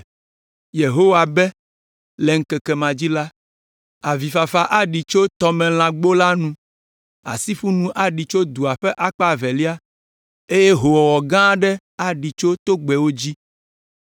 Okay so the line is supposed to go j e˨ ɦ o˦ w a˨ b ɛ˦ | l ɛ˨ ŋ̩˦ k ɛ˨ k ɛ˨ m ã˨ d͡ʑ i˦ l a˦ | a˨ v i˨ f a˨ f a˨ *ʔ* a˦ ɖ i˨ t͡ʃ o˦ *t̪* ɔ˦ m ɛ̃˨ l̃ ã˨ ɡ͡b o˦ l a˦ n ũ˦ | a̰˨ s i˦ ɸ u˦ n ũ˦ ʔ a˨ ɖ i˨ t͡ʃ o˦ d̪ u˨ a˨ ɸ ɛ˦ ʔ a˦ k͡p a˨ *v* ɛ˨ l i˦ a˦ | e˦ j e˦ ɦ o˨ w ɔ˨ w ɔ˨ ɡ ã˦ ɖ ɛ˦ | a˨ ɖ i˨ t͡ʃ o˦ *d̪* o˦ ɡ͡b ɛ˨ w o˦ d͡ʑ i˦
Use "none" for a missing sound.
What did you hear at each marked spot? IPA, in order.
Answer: ʔ, t̪, v, t̪

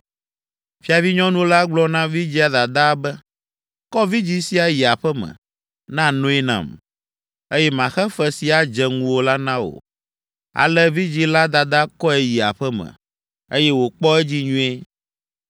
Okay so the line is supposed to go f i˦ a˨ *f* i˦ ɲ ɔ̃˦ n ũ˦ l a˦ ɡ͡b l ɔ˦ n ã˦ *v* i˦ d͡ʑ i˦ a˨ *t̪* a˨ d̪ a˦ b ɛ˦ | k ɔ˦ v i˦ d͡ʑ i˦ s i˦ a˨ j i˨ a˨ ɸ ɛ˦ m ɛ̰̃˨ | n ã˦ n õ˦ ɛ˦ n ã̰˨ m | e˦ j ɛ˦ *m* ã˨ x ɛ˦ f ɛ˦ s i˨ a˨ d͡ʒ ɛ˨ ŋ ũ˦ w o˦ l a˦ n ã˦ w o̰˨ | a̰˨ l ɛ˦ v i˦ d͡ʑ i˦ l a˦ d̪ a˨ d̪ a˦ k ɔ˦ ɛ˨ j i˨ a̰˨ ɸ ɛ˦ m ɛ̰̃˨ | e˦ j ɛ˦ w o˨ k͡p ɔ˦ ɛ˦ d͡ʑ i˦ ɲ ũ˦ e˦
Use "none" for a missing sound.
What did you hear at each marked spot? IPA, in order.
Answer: v, v, d̪, m

